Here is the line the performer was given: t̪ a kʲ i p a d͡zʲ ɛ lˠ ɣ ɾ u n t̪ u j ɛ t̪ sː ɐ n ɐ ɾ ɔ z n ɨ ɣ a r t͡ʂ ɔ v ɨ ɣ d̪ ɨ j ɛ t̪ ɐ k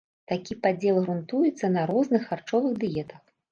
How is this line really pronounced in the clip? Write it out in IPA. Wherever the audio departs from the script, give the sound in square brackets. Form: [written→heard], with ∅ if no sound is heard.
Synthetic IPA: t̪ a kʲ i p a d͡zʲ ɛ lˠ ɣ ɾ u n t̪ u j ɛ t̪ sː ɐ n ɐ ɾ ɔ z n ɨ [ɣ→x] a r t͡ʂ ɔ v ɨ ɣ d̪ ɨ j ɛ t̪ ɐ [k→x]